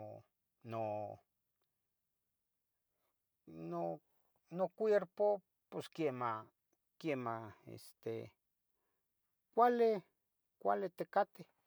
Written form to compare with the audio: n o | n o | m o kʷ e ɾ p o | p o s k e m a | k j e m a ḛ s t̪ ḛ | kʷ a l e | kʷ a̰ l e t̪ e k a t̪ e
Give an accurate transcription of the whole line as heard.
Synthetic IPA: n o | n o | n o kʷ e ɾ p o | p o s k e m a | k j e m a ḛ s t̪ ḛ | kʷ a l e | kʷ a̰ l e t̪ e k a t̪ e

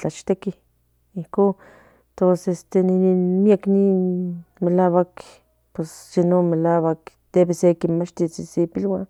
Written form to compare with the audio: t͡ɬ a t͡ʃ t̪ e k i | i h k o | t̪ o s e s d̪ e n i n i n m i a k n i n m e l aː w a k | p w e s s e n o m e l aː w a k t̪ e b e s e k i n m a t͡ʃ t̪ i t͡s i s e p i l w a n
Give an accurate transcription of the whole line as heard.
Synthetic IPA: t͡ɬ a t͡ʃ t̪ e k i | i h k o | t̪ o s e s t̪ e n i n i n m i a k n i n m e l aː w a k | p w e s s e n o m e l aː w a k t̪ e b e s e k i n m a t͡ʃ t̪ i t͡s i s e p i l w a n

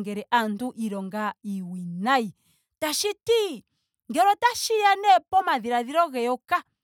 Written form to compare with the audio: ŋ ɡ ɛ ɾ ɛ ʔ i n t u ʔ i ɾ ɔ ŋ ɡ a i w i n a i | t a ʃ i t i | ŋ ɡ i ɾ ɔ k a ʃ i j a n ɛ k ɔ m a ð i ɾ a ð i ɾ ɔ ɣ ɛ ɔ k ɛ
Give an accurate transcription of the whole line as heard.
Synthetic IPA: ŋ ɡ ɛ ɾ ɛ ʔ a n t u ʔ i ɾ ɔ ŋ ɡ a i w i n a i | t a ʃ i t i | ŋ ɡ ɛ ɾ ɔ t a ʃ i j a n ɛ p ɔ m a ð i ɾ a ð i ɾ ɔ ɣ ɛ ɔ k a

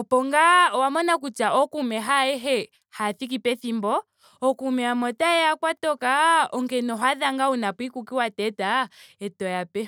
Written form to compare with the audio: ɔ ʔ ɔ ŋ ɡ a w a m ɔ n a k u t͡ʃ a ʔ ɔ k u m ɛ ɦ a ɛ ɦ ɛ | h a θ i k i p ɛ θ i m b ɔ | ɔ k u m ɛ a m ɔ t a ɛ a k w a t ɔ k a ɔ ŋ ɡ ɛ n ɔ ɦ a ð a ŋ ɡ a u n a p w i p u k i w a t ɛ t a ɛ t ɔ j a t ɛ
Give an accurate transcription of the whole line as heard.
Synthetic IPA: ɔ p ɔ ŋ ɡ a w a m ɔ n a k u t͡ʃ a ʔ ɔ k u m ɛ ɦ a ɛ ɦ ɛ | h a θ i k i p ɛ θ i m b ɔ | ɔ k u m ɛ a m ɔ t a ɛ a k w a t ɔ k a ɔ ŋ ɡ ɛ n ɔ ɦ a ð a ŋ ɡ a u n a p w i k u k i w a t ɛ t a ɛ t ɔ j a p ɛ

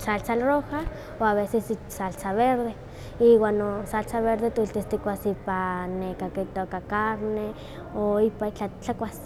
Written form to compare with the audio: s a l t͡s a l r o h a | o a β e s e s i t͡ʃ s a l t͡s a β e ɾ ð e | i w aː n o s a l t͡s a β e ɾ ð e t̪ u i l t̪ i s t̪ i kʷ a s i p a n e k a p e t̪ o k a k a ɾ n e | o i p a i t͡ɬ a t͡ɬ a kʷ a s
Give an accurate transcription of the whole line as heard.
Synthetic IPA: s a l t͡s a l r o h a | o a β e s e s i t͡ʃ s a l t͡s a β e ɾ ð e | i w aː n o s a l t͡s a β e ɾ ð e t̪ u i l t̪ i s t̪ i kʷ a s i p a n e k a k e t̪ o k a k a ɾ n e | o i p a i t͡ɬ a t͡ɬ a kʷ a s

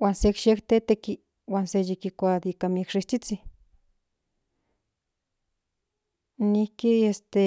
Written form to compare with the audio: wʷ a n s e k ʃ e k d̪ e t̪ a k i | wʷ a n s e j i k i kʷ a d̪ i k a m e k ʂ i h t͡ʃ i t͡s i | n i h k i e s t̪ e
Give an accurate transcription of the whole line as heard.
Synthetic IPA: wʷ a n s e k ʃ e k t̪ e t̪ e k i | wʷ a n s e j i k i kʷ a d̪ i k a m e k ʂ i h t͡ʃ i t͡s i | n i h k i e s t̪ e

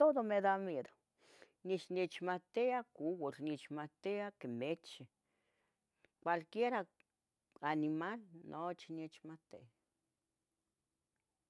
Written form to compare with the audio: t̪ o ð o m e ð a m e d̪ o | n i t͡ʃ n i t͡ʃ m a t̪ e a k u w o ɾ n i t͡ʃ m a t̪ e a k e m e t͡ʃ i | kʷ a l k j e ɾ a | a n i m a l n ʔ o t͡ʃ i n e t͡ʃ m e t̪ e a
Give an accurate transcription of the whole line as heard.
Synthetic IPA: t̪ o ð o m e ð a m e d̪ o | n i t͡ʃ n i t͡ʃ m a t̪ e a k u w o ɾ n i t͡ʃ m a t̪ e a k e m e t͡ʃ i | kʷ a l k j e ɾ a | a n i m a l n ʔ o t͡ʃ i n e t͡ʃ m a t̪ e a

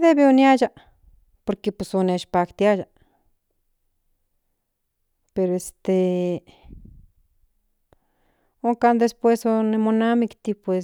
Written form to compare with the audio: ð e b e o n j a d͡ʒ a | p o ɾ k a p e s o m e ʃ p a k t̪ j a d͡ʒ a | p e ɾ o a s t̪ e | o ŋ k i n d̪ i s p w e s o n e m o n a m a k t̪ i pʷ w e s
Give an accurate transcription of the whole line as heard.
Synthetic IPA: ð e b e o n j a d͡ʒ a | p o ɾ k e p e s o n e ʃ p a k t̪ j a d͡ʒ a | p e ɾ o e s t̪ e | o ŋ k a n d̪ e s p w e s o n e m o n a m i k t̪ i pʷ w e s

